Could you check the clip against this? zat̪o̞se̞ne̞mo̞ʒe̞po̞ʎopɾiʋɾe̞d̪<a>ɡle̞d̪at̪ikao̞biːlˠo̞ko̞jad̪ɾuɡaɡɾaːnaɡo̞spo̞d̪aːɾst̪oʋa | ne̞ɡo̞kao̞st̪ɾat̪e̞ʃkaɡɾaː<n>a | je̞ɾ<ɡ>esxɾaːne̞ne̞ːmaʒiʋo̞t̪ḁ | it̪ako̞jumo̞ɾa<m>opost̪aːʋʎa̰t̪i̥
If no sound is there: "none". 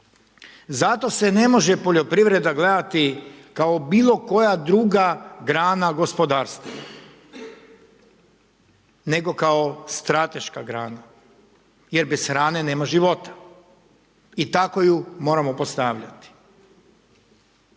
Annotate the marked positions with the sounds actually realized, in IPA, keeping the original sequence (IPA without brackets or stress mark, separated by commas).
a, n, b, m